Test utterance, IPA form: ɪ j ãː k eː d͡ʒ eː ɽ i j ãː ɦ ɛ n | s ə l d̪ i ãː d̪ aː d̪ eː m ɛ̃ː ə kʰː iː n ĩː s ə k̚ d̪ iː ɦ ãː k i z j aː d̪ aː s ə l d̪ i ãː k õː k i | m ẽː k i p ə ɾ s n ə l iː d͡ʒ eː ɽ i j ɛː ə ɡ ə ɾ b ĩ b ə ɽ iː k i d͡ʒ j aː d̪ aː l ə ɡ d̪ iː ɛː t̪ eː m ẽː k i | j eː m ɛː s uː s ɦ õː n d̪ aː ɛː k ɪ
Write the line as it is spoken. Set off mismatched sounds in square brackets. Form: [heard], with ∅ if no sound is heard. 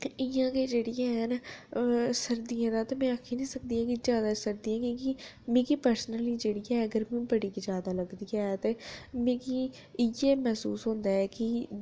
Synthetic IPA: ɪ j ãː k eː d͡ʒ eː ɽ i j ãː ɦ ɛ n | s ə [ɾ] d̪ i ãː d̪ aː [t̪] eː m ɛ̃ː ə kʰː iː n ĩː s ə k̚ d̪ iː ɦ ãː k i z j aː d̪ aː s ə [ɾ] d̪ i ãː k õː k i | m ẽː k i p ə ɾ s n ə l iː d͡ʒ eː ɽ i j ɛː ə ɡ ə ɾ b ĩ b ə ɽ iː k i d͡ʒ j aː d̪ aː l ə ɡ d̪ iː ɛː t̪ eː m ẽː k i | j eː m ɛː s uː s ɦ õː n d̪ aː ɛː k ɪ